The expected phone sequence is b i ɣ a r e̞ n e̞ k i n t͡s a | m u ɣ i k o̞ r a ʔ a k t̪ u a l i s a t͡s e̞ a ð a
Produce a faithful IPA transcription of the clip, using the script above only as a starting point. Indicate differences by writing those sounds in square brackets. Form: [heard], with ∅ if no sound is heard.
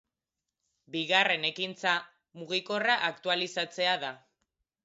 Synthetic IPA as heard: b i ɣ a r e̞ n e̞ k i n t͡s a | m u ɣ i k o̞ r a ʔ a k t̪ u a l i s a t͡s e̞ a ð a